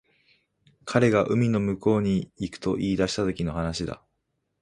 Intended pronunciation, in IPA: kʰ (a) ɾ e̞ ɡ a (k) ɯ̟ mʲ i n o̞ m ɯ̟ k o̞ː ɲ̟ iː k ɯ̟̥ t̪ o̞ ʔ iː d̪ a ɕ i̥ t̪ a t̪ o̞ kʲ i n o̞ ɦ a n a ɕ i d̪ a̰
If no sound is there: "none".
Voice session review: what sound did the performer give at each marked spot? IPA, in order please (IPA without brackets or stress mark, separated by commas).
a, ʔ